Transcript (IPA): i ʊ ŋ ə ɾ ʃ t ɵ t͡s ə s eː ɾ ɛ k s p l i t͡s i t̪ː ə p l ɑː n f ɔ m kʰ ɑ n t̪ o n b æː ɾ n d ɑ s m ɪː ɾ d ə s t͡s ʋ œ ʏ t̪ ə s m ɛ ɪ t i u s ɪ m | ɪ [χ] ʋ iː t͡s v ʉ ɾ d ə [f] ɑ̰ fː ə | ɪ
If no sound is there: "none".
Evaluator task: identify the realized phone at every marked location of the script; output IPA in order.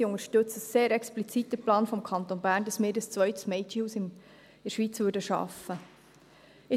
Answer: ʃ, ʃ

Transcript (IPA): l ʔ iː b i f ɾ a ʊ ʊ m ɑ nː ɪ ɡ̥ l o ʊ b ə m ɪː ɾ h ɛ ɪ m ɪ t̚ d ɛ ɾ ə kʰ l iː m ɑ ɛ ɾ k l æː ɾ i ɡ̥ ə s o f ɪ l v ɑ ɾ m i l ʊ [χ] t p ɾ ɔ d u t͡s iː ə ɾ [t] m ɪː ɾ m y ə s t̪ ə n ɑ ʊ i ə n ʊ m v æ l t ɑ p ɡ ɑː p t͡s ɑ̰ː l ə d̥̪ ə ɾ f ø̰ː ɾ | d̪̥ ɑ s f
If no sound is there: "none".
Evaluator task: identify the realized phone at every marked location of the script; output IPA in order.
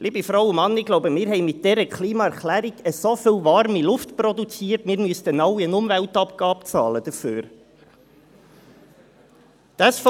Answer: f, t

